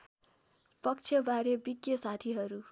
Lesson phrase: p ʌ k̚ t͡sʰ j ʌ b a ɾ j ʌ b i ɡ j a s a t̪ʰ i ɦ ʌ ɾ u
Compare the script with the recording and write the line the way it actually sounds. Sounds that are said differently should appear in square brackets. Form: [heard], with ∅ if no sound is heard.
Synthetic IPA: p ʌ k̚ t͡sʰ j ʌ b a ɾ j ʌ b i ɡ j [ʌ] s a t̪ʰ i ɦ ʌ ɾ u